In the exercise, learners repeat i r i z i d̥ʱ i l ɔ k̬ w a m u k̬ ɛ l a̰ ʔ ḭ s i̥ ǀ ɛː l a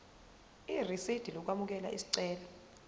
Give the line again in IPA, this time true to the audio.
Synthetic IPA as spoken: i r i s i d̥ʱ i l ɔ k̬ w a m u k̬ ɛ l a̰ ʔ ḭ s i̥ ǀ ɛː l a